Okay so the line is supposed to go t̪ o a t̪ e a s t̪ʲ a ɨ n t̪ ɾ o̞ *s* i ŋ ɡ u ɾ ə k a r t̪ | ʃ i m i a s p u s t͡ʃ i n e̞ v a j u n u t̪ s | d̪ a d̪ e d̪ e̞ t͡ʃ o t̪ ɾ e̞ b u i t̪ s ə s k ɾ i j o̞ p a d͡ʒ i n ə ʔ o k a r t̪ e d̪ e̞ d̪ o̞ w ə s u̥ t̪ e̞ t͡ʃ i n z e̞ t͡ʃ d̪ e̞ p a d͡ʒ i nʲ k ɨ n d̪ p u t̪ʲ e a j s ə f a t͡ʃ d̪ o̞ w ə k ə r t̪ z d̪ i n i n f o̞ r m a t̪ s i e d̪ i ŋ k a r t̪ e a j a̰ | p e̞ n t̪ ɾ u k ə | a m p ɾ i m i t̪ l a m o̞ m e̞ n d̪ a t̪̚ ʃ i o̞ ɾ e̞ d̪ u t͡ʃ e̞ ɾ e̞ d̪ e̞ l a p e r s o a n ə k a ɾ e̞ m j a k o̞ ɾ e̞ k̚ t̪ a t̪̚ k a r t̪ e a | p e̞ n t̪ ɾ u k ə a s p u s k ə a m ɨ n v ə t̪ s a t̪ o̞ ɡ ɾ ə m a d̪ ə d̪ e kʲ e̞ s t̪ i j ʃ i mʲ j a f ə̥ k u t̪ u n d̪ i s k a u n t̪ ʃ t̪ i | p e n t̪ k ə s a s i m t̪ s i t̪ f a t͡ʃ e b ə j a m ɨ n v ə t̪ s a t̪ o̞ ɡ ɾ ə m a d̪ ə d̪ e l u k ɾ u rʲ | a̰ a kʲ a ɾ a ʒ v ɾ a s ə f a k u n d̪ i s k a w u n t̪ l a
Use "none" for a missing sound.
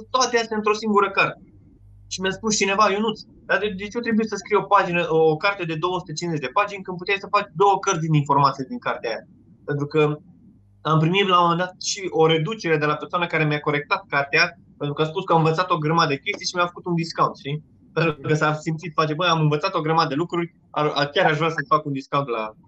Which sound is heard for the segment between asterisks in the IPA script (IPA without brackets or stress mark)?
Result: s